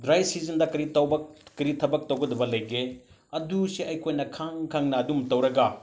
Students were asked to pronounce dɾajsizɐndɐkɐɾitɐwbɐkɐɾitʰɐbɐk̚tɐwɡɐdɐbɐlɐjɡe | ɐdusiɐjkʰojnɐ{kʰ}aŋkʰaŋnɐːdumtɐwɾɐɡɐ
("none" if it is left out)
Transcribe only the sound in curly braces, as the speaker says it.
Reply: kʰ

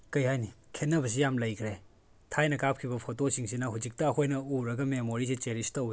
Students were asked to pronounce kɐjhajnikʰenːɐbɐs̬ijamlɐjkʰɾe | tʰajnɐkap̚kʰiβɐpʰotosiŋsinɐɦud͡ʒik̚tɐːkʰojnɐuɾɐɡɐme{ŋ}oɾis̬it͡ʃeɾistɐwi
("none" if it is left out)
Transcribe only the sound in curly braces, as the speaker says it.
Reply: m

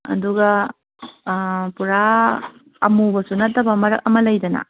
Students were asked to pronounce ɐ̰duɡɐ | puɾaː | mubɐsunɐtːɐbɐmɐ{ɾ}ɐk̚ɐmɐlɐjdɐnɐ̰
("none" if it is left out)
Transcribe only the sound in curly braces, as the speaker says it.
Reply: ɾ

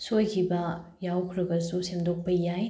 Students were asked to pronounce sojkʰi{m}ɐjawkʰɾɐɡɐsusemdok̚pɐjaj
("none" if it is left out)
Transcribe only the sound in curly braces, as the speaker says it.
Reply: b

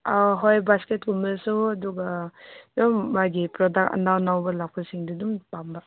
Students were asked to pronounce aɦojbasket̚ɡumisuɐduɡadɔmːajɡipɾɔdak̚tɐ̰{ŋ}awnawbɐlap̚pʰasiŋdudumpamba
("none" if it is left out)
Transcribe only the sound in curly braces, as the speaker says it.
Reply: n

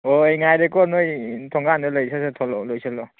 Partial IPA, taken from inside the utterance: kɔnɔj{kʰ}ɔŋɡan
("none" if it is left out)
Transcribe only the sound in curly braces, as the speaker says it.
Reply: tʰ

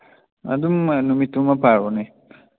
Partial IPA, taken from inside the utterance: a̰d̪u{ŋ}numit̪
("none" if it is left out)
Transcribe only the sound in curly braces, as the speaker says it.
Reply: m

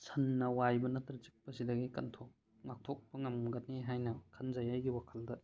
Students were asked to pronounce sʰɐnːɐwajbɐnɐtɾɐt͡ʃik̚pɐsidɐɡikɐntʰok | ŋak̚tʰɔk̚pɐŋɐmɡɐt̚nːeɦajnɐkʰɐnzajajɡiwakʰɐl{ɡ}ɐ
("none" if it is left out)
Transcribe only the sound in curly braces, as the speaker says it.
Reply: d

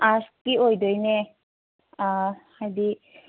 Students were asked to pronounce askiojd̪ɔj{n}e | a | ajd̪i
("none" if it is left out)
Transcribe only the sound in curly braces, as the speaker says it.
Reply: n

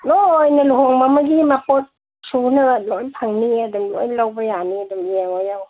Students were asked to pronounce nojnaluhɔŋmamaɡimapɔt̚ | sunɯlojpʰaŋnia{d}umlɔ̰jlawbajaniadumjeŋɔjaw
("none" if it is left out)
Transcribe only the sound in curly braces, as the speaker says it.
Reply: d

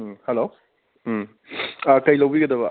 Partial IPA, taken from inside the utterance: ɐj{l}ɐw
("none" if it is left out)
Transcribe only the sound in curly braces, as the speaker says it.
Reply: l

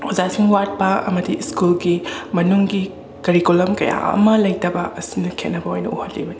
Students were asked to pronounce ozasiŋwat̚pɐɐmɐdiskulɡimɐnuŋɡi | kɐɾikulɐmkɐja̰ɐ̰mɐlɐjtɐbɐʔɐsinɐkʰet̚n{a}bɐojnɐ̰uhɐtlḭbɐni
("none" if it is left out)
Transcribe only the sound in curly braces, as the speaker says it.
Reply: ɐ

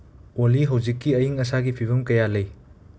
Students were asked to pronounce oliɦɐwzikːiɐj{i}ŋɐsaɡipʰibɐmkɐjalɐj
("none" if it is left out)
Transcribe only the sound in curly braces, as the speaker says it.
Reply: i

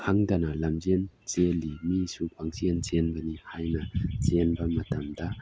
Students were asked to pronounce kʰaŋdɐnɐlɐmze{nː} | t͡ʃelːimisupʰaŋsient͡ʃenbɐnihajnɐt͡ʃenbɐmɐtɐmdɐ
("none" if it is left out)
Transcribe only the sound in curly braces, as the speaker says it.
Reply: n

